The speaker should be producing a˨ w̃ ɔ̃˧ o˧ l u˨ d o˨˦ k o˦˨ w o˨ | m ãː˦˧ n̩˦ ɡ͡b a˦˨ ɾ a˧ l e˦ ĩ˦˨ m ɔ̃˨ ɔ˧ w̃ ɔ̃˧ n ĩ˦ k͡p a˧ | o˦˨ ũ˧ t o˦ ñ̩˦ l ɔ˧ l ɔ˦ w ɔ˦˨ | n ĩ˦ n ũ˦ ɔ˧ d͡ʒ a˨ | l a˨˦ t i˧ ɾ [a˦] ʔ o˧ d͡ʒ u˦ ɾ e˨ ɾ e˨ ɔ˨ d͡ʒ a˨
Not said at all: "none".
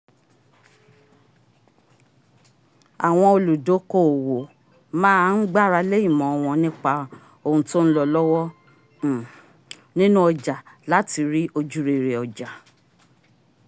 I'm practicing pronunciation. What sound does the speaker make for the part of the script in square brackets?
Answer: i˦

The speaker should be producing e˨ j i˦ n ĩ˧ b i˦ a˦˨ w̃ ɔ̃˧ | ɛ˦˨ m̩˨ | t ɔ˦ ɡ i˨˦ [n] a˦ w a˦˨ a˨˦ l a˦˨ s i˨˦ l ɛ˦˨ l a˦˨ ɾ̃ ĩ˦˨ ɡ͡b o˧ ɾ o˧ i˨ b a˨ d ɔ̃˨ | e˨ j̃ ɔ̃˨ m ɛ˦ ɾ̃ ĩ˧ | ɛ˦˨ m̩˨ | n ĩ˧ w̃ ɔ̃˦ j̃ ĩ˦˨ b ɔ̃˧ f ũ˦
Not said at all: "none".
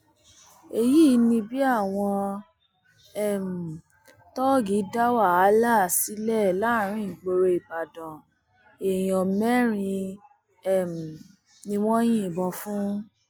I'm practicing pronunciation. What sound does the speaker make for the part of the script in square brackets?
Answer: d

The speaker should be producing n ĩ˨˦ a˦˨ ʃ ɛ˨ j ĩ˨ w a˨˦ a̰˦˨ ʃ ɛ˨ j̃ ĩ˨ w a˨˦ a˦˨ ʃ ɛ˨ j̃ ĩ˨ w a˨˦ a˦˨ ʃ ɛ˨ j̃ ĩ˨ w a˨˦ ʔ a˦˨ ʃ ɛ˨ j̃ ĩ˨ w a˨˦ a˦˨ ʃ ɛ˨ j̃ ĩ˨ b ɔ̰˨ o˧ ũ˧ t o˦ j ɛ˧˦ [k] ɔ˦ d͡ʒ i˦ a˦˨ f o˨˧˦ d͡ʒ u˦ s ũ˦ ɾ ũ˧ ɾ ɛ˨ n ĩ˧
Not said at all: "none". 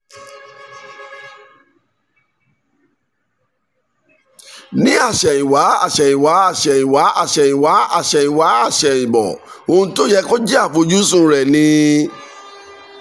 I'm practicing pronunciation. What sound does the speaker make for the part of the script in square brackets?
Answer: k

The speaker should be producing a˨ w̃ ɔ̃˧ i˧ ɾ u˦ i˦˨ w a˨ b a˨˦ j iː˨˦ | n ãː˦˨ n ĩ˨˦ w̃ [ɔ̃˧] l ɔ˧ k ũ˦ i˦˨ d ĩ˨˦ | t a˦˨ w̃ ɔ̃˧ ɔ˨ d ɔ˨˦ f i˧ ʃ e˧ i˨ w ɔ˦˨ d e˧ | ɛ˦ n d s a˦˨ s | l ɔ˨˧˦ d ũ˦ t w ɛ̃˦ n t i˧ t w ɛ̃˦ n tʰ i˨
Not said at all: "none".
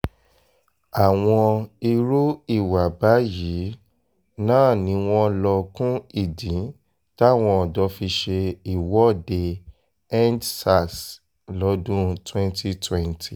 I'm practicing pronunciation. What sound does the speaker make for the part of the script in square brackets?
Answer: ɔ̃˧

